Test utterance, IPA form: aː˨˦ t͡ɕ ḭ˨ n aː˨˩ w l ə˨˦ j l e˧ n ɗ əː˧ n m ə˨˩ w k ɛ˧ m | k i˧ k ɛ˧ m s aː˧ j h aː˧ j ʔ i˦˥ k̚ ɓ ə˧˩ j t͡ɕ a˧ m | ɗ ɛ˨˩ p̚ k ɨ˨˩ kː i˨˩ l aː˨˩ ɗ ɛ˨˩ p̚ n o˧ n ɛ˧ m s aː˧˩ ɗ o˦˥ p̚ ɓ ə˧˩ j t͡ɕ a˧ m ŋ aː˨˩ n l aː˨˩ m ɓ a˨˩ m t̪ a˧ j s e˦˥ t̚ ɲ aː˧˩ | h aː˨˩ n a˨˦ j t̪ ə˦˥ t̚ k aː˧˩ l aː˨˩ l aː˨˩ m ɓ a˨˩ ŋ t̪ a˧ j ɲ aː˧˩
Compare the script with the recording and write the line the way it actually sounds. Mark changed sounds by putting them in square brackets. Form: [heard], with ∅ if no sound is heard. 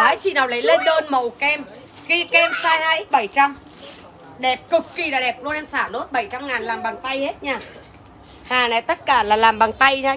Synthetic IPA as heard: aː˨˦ t͡ɕ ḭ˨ n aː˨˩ w l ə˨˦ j l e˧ n ɗ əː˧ n m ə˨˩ w k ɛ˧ m | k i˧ k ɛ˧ m s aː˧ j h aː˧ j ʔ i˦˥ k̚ ɓ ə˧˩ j t͡ɕ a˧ m | ɗ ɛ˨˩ p̚ k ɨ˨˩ kː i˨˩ l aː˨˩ ɗ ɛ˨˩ p̚ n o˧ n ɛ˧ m s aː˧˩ ɗ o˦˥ [t̚] ɓ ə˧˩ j t͡ɕ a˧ m ŋ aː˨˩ n l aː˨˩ m ɓ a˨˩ [ŋ] t̪ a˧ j [h] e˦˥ t̚ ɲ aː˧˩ | h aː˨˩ n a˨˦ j t̪ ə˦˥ t̚ k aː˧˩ l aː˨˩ l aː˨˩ m ɓ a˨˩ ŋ t̪ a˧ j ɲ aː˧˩